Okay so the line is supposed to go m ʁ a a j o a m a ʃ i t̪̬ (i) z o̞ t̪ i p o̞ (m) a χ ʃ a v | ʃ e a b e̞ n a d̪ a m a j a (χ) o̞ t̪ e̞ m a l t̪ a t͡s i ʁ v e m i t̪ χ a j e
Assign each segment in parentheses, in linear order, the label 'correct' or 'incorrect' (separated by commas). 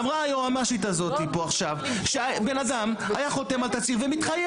incorrect, incorrect, correct